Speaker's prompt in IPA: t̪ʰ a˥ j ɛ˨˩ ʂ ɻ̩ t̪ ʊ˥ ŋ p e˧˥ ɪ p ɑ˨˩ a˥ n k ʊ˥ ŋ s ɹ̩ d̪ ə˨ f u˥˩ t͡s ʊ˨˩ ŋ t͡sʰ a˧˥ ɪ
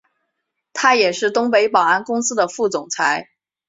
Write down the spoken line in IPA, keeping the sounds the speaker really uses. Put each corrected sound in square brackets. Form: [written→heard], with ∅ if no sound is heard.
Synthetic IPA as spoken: t̪ʰ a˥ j ɛ˨˩ ʂ ɻ̩ t̪ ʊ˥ ŋ p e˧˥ ɪ p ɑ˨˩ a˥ n k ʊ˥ ŋ s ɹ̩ d̪ ə˨ f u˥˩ t͡s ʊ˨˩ ŋ t͡sʰ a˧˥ ɪ